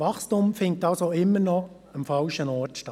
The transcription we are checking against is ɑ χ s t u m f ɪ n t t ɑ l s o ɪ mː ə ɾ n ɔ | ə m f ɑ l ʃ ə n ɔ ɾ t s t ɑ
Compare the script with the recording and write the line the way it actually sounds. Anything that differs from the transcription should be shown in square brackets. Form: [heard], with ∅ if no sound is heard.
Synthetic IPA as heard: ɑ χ s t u m f ɪ n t t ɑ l s o ɪ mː ə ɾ n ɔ | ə m f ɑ l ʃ ə n ɔ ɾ t [ʃ] t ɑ